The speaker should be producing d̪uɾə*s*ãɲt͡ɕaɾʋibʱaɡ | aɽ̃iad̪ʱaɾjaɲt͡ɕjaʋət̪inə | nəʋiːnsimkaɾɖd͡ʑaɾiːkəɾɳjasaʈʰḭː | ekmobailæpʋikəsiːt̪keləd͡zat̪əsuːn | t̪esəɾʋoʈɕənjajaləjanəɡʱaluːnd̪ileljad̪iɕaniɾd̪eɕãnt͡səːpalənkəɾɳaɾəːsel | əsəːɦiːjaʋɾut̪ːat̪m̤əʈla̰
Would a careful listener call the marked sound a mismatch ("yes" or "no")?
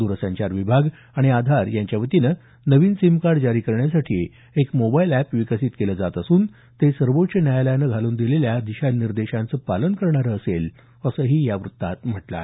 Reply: no